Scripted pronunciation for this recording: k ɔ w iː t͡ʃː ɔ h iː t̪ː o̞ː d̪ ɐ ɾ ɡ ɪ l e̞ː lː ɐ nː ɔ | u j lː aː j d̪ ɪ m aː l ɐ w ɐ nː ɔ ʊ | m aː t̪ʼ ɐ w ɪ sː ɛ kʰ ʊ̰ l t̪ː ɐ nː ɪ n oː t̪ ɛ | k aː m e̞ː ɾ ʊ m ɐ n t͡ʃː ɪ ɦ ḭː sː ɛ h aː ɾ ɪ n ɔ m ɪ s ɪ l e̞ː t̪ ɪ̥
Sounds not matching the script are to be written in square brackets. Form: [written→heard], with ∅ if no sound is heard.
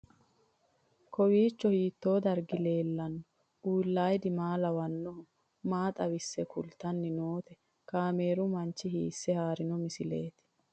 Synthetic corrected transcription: k ɔ w iː t͡ʃː ɔ h iː t̪ː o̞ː d̪ ɐ ɾ ɡ ɪ l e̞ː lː ɐ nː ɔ | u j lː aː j d̪ ɪ m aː l ɐ w ɐ nː ɔ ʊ | m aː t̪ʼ ɐ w ɪ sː ɛ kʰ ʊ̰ l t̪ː ɐ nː ɪ n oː t̪ ɛ | k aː m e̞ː ɾ ʊ m ɐ n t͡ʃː ɪ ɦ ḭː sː ɛ h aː ɾ ɪ n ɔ m ɪ s ɪ l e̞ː t̪ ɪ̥